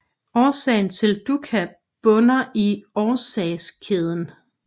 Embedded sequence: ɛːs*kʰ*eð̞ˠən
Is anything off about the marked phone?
no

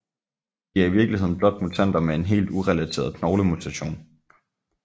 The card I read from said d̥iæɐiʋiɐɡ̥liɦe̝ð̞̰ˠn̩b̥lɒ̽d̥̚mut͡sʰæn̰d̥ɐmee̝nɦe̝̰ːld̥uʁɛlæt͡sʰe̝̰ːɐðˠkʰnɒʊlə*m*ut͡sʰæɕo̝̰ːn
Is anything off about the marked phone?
no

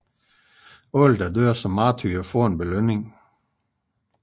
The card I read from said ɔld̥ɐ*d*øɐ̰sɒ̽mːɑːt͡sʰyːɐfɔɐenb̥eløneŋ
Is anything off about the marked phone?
no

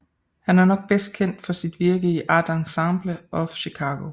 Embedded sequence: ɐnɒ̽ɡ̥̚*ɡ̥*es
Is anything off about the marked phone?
yes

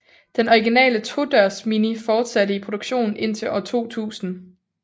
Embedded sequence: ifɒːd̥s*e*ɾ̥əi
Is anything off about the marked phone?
yes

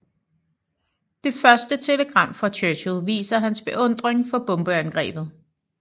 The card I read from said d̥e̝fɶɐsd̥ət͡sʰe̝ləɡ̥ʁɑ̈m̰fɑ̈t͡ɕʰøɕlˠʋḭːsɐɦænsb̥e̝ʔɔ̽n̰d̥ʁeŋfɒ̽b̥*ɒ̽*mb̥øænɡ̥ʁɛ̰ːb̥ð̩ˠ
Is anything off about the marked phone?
yes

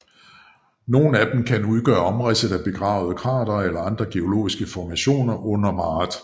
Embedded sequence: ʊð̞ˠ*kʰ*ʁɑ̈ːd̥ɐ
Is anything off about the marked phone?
no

